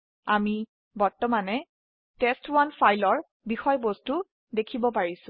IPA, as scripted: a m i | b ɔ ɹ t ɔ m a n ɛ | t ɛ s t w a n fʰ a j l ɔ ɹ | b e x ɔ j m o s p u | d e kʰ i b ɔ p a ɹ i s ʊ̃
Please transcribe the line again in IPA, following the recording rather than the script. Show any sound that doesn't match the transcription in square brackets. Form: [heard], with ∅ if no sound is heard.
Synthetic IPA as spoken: a m i | b ɔ ɹ t ɔ m a n ɛ | t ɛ s t w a n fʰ a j l ɔ ɹ | b [i] x ɔ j [b] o s [t] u | d e kʰ i b ɔ p a ɹ i s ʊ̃